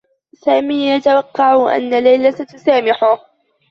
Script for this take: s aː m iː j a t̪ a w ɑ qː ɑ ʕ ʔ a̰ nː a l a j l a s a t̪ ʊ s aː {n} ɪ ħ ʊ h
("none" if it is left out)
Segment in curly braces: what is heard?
m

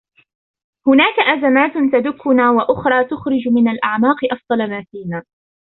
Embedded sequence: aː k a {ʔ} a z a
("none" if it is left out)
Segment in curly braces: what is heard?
ʔ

